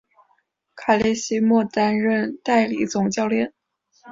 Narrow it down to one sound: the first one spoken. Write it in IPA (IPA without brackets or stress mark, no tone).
kʰ